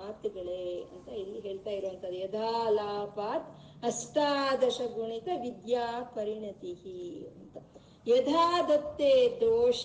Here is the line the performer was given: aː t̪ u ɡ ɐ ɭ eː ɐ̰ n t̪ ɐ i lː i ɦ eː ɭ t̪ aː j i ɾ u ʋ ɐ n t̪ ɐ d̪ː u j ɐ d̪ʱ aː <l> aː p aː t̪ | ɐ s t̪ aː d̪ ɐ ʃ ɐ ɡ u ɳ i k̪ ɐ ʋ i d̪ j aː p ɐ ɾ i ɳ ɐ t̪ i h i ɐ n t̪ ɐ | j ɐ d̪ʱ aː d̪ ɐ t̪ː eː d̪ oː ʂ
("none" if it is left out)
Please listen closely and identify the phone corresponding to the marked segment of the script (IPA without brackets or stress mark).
l